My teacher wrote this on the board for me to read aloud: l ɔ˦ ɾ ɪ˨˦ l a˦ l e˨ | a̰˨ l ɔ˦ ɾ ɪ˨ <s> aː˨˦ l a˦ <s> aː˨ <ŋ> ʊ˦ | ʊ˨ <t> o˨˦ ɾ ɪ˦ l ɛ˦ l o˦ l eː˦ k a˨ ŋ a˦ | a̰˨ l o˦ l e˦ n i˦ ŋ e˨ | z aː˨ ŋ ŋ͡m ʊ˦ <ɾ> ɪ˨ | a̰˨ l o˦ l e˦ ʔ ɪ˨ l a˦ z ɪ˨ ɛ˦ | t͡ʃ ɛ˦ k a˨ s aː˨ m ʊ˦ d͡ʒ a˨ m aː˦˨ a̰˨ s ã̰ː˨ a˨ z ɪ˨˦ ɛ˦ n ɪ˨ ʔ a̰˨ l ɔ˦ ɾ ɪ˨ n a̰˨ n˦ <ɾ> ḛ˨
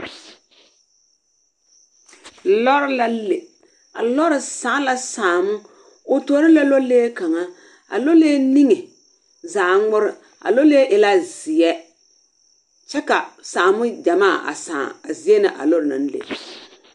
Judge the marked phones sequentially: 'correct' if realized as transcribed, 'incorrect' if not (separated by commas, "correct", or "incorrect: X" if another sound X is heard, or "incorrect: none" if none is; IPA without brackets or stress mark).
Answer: correct, correct, incorrect: m, correct, correct, incorrect: l